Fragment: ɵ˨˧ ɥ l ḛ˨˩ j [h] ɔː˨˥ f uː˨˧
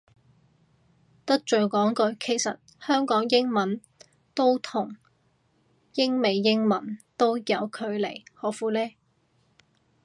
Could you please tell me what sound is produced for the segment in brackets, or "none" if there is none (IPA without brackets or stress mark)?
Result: h